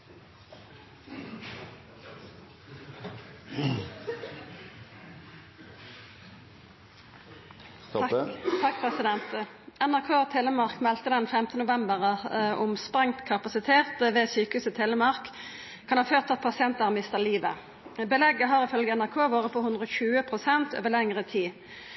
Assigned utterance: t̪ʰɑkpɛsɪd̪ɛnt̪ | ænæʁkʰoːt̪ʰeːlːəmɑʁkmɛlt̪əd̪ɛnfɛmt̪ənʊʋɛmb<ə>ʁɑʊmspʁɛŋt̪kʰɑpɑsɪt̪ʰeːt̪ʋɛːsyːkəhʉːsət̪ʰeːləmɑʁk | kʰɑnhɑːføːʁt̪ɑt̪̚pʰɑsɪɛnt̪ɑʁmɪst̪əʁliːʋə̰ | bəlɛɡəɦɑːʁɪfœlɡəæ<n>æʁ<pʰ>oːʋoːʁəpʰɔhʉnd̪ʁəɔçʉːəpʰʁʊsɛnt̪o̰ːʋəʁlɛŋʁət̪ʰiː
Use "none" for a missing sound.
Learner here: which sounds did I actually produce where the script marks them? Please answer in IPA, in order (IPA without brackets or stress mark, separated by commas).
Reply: ə, n, kʰ